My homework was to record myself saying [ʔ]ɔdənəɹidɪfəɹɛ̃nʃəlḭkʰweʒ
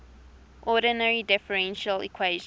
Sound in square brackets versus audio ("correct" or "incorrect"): correct